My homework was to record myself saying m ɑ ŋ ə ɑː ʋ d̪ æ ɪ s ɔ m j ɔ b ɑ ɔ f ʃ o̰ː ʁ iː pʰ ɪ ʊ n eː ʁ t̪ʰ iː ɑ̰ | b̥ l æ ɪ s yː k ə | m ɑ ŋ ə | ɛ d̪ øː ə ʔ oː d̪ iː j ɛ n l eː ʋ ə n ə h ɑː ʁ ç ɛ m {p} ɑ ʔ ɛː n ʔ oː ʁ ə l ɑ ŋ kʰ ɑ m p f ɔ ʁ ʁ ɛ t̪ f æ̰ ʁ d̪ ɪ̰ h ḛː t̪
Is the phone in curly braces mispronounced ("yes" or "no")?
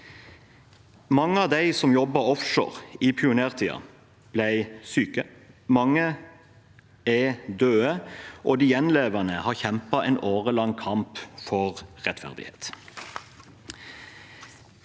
no